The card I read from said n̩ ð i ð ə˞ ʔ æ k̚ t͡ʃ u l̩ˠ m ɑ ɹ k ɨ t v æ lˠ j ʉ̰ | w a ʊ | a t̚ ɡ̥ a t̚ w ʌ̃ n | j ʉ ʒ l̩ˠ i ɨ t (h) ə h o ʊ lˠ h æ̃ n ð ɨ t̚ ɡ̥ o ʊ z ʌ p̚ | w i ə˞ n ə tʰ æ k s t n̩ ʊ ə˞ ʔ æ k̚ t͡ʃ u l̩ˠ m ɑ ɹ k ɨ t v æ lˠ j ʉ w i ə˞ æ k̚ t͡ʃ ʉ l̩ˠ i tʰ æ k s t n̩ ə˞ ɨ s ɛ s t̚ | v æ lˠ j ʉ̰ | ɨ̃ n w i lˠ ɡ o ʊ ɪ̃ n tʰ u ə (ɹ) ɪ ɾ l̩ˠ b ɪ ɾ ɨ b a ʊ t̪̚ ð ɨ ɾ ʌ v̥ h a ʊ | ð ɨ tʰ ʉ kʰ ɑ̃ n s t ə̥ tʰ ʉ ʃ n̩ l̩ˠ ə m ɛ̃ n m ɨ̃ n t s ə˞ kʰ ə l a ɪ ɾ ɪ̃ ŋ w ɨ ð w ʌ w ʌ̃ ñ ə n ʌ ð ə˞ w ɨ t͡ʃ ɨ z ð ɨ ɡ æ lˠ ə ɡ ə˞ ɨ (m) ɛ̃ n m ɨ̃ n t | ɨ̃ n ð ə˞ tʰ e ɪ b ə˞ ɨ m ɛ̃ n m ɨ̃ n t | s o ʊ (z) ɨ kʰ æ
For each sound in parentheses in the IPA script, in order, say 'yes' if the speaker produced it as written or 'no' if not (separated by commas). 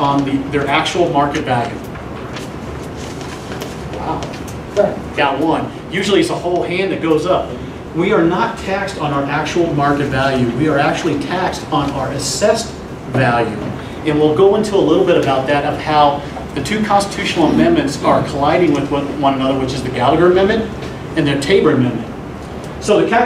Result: no, no, yes, no